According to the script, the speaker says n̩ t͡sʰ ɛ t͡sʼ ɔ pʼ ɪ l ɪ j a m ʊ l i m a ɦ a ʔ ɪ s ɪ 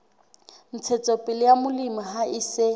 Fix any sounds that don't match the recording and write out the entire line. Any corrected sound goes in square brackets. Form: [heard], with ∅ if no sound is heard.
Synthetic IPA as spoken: n̩ t͡sʰ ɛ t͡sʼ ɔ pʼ ɪ l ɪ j a m ʊ l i m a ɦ a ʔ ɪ s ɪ